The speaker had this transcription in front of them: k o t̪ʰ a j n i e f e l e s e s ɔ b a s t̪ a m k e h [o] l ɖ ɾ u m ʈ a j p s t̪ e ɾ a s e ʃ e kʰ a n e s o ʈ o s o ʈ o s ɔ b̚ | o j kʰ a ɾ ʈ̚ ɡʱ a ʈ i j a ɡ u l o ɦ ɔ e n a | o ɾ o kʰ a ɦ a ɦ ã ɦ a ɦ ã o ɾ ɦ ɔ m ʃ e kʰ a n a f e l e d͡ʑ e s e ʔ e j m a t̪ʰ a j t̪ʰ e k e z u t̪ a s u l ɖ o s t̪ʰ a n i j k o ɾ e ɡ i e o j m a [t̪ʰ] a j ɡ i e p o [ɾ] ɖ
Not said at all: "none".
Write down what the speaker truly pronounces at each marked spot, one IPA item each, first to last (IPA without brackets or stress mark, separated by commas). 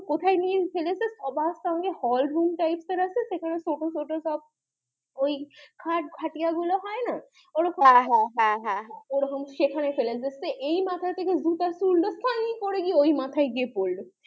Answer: ɔ, t̪ʰ, l